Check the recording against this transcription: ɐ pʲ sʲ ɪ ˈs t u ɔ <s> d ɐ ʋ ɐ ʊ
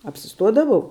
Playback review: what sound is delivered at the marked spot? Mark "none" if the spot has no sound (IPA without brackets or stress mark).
none